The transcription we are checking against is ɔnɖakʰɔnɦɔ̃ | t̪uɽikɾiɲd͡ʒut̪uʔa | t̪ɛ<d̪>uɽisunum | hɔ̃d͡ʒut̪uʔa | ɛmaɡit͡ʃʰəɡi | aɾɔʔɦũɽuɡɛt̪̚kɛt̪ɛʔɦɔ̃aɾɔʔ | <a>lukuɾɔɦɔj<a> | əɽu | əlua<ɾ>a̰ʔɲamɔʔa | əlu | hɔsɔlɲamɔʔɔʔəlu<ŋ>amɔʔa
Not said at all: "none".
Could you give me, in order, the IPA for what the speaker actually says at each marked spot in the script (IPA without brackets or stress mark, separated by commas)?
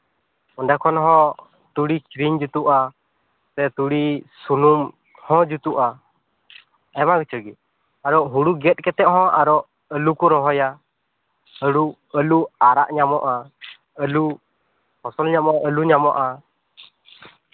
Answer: t̪, ə, a, ɾ, ɲ